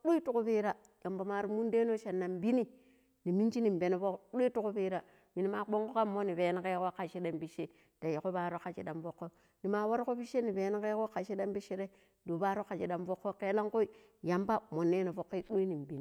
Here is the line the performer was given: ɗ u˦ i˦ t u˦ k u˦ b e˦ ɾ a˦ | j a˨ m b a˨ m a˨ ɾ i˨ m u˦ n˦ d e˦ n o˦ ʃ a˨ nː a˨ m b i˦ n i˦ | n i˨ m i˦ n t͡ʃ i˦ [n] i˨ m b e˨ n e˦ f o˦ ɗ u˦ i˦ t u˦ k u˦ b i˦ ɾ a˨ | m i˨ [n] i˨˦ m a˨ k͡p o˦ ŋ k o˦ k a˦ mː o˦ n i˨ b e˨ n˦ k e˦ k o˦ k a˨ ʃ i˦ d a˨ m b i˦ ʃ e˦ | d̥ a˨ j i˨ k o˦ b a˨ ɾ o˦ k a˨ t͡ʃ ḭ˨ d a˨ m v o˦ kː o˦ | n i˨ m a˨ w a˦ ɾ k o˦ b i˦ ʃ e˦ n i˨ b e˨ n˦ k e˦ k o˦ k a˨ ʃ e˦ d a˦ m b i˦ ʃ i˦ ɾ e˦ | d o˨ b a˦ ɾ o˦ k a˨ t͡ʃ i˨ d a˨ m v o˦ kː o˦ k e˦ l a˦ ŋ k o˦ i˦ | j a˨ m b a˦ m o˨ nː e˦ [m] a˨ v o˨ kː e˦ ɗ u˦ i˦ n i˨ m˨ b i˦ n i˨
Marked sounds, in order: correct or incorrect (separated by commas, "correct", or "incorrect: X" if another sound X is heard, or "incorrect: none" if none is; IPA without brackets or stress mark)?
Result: correct, correct, incorrect: n